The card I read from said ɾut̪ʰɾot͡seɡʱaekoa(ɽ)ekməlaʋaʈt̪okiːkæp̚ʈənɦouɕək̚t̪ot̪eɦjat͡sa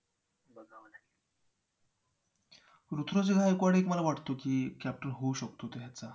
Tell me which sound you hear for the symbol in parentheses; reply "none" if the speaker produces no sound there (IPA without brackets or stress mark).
ɽ